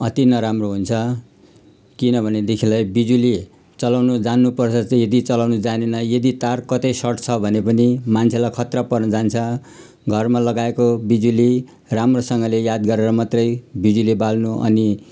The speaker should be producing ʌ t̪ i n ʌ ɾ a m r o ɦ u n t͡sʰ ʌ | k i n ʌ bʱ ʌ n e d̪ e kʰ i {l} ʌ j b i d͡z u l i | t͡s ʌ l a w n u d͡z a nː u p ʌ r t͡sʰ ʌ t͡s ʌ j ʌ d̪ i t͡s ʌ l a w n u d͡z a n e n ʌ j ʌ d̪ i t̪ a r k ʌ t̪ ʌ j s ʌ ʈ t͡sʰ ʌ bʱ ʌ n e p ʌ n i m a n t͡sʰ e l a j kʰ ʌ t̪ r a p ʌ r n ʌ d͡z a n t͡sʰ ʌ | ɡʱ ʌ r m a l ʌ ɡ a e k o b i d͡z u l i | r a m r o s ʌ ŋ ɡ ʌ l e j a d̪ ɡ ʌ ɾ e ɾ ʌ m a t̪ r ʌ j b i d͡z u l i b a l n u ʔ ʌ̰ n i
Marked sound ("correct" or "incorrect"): correct